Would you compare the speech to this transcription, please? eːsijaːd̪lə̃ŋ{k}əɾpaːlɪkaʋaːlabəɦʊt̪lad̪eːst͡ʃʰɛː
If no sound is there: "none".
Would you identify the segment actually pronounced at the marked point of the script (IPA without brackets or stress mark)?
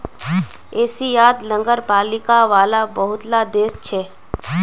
ɡ